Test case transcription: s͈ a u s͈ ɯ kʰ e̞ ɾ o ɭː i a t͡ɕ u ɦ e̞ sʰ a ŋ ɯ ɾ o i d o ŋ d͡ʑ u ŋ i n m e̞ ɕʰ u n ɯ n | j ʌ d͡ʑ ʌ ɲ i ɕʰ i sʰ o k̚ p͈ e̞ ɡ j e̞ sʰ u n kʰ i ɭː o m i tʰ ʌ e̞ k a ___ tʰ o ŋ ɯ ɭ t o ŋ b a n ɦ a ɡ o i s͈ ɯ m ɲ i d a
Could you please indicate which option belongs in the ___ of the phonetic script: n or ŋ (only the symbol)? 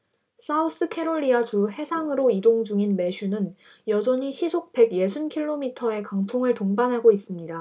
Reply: ŋ